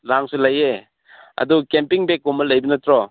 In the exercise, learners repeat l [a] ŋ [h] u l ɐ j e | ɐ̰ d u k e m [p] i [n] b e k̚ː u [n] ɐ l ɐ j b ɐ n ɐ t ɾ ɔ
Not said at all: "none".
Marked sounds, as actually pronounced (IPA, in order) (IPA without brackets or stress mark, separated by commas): a, s, p, ŋ, m